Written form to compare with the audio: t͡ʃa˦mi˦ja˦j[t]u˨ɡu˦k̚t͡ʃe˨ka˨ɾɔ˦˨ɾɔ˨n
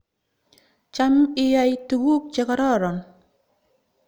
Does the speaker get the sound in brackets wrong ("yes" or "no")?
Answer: no